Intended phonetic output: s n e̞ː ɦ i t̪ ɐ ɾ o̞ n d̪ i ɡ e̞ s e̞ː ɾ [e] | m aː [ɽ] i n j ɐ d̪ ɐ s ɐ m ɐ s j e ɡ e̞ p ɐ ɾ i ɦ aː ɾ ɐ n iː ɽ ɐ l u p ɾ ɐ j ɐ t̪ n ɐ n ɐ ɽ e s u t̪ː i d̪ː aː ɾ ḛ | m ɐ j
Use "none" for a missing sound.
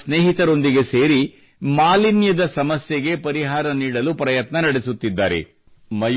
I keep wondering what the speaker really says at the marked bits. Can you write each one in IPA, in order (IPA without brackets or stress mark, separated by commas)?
i, l